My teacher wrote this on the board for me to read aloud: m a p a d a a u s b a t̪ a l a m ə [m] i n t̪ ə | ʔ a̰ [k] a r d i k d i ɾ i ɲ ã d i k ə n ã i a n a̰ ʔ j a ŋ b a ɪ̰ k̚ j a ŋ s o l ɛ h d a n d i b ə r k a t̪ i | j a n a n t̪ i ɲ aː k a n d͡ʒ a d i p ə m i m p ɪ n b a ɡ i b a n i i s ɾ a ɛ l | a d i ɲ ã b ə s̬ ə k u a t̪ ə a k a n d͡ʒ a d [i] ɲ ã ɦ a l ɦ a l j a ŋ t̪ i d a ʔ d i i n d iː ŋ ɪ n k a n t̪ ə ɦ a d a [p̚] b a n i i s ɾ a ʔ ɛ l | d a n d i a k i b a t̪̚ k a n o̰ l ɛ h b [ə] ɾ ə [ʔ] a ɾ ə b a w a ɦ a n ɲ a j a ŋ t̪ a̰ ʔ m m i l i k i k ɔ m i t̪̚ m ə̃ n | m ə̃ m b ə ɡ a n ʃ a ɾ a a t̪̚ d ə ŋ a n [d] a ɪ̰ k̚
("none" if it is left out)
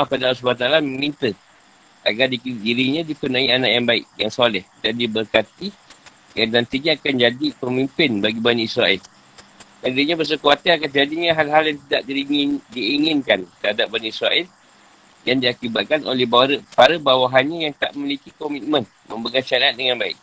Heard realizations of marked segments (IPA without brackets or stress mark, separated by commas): m, ɡ, i, p̚, a, p, b